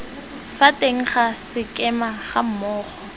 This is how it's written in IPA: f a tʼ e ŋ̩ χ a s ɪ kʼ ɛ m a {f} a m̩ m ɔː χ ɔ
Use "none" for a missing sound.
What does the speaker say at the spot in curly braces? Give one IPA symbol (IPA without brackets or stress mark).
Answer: χ